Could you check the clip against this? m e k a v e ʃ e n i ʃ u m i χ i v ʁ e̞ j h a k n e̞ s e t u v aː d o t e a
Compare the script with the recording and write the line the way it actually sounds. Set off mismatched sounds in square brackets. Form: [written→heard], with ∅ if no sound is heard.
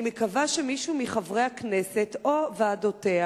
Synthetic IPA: m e k a v [e→a] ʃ e [n→m] i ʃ u m i χ [i→a] v ʁ e̞ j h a k n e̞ s e t [u→o] v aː d o t e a